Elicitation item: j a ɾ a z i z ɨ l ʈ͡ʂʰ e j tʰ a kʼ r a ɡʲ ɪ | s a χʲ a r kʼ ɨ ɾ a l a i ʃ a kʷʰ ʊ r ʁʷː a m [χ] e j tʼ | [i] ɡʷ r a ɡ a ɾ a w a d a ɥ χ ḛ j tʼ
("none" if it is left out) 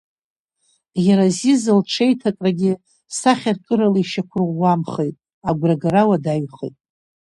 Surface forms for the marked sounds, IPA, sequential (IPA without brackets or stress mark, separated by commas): χ, a